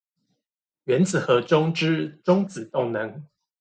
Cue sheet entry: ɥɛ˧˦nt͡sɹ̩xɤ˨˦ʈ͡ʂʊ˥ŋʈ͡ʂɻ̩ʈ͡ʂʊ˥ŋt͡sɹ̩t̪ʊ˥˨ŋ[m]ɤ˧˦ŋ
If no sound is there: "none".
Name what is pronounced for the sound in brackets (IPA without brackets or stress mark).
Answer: n